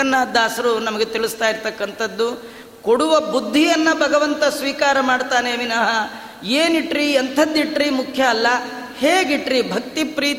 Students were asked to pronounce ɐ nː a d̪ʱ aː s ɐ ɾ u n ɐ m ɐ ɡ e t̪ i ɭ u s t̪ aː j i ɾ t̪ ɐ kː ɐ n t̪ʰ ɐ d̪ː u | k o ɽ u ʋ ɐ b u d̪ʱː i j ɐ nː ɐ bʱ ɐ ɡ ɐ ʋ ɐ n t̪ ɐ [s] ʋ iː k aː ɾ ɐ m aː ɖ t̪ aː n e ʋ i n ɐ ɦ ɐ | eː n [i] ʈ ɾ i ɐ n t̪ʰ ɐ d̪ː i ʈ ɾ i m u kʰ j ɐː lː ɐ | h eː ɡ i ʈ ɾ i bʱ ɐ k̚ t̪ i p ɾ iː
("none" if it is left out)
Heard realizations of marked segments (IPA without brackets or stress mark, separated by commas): s, i